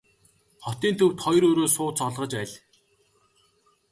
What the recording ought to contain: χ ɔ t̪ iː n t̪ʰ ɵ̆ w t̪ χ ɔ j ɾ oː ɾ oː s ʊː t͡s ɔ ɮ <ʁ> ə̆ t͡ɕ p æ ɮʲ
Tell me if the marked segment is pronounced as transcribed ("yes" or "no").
yes